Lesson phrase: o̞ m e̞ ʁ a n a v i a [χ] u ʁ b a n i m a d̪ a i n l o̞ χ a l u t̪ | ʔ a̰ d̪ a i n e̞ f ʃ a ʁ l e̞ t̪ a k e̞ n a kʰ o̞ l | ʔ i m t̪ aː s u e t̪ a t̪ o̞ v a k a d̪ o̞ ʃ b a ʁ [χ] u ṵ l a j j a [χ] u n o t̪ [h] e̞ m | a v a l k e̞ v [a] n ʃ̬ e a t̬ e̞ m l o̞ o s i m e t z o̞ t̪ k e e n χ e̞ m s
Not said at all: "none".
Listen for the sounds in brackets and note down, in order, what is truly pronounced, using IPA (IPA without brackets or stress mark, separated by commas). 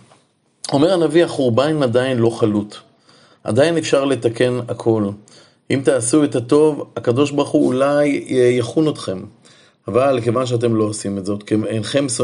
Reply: χ, χ, χ, χ, a